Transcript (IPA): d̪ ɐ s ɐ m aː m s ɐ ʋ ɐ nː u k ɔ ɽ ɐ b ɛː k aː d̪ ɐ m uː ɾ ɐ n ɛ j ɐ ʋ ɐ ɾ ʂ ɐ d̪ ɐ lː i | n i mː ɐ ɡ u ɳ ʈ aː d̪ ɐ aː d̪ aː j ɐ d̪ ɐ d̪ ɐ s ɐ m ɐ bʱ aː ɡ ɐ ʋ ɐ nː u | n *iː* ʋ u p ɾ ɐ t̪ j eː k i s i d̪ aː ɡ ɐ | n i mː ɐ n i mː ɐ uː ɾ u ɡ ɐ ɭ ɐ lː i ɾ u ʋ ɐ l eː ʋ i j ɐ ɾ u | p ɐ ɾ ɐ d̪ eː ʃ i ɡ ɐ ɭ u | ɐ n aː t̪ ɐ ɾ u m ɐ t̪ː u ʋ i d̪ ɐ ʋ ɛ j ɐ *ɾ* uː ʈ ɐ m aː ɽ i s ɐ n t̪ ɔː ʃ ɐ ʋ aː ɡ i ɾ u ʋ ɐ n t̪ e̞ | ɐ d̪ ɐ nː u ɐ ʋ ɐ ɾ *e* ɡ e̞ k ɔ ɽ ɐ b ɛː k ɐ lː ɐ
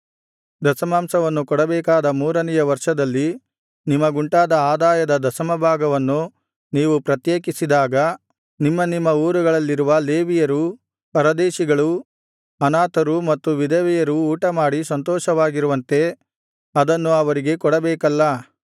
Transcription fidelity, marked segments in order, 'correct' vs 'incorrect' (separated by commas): correct, correct, incorrect